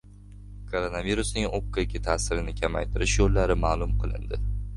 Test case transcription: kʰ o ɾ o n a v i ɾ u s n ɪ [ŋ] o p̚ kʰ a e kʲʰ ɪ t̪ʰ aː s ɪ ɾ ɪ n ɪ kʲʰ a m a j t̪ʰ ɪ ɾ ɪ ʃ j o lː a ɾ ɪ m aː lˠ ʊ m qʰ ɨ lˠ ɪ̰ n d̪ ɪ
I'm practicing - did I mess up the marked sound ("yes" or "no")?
no